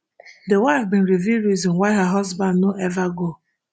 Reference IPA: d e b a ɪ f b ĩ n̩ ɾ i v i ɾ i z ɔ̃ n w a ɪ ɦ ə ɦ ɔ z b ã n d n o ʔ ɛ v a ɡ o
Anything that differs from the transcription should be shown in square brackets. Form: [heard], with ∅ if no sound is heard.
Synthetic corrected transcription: d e [w] a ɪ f b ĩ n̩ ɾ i v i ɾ i z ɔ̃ n w a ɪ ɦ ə ɦ ɔ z b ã n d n o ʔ ɛ v a ɡ o